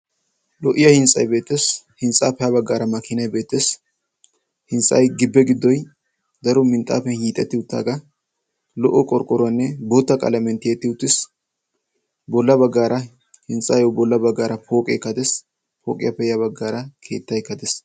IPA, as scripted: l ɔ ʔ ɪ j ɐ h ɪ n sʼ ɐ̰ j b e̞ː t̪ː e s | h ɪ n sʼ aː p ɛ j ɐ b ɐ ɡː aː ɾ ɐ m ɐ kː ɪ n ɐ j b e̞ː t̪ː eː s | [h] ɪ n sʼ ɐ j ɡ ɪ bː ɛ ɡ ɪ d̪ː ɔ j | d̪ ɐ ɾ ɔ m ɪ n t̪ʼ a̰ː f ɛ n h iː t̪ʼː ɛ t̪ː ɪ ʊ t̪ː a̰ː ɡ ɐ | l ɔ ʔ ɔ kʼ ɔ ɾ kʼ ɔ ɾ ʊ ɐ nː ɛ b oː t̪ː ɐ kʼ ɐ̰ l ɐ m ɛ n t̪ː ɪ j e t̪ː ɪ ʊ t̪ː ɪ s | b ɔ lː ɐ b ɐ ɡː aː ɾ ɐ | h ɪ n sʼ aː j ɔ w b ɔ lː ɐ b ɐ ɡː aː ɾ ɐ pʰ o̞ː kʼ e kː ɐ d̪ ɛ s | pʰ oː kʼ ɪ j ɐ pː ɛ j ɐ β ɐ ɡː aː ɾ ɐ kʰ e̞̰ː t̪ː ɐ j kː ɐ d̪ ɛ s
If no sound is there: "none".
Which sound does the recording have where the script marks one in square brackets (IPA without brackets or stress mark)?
h